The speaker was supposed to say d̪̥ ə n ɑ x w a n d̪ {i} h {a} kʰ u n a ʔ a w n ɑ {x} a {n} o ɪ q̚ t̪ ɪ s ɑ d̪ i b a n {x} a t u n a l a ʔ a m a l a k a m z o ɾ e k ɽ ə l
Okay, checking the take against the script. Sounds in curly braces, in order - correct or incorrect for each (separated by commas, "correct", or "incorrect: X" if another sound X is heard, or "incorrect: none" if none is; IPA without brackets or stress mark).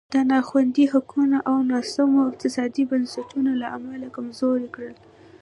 correct, correct, incorrect: s, incorrect: m, incorrect: s